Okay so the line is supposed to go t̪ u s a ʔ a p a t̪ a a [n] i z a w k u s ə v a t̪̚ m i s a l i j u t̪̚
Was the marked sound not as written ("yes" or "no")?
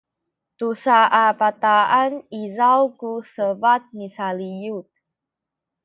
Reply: no